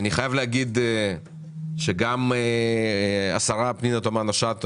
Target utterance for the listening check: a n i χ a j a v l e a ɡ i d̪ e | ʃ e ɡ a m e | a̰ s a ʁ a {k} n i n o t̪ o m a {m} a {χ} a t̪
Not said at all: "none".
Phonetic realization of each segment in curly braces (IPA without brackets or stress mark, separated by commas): p, n, ʃ